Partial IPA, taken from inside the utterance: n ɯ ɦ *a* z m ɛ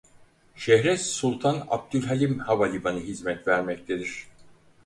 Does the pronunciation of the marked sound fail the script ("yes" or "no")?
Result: yes